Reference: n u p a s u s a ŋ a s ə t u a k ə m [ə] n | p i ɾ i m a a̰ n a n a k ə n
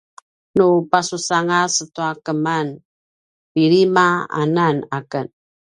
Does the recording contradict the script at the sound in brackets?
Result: yes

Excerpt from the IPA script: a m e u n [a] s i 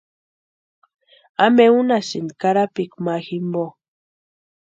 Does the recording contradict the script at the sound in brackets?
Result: no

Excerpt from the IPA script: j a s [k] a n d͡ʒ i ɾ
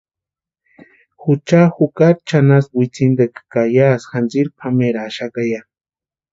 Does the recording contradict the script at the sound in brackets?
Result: yes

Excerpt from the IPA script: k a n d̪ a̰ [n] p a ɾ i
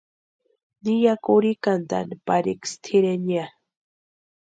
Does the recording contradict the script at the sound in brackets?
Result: no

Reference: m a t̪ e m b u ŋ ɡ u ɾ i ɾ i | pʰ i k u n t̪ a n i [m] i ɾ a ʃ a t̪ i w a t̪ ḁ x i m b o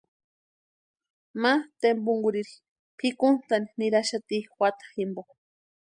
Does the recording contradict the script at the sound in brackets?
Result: yes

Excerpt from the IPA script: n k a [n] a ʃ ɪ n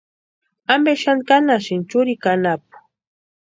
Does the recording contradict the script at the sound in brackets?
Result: no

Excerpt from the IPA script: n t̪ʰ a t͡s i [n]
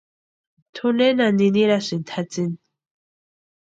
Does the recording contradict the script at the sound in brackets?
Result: no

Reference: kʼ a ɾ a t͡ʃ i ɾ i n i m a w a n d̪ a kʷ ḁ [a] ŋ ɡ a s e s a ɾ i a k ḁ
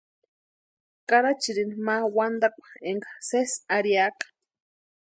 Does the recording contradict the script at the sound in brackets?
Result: yes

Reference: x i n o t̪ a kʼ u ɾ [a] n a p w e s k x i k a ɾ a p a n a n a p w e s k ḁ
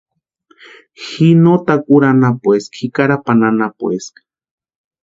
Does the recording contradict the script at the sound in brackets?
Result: no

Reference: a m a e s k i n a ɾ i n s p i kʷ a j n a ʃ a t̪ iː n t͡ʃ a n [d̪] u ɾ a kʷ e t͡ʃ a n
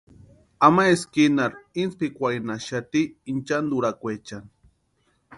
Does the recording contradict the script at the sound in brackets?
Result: no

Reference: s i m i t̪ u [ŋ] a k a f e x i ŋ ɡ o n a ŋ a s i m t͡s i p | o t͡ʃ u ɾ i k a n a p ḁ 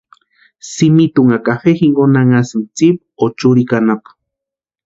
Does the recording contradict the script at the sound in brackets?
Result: no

